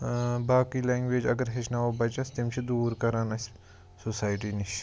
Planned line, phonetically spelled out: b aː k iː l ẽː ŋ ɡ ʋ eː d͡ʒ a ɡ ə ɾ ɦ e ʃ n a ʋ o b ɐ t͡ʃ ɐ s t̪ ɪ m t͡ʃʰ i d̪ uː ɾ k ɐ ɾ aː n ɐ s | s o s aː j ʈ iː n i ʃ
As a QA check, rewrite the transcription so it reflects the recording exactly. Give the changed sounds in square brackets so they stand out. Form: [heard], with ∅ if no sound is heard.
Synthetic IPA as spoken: b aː k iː l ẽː ŋ ɡ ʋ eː d͡ʒ [ɐ] ɡ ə ɾ ɦ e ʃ n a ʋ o b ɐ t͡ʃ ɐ s t̪ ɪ m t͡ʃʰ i d̪ uː ɾ k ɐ ɾ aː n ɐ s | s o s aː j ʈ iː n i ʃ